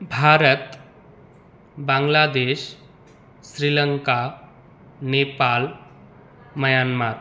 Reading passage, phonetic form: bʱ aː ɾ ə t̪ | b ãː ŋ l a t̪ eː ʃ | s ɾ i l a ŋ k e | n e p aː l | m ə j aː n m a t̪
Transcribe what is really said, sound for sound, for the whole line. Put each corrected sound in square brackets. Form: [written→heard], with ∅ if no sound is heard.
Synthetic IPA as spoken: bʱ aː ɾ ə t̪ | b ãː ŋ l a [t̪→d̪] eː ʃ | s ɾ i l [a→ə] ŋ k [e→a] | n e p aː l | m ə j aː n m a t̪